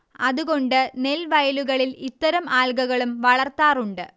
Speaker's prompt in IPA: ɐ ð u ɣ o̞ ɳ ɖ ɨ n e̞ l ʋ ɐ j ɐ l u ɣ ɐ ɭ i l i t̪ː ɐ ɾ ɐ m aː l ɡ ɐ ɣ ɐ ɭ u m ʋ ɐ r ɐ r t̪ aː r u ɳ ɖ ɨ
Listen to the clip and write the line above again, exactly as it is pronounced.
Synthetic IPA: ɐ ð u ɣ o̞ ɳ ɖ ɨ n e̞ l ʋ ɐ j ɐ l u ɣ ɐ ɭ i l i t̪ː ɐ ɾ ɐ m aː l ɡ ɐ ɣ ɐ ɭ u m ʋ ɐ ɭ ɐ r t̪ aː r u ɳ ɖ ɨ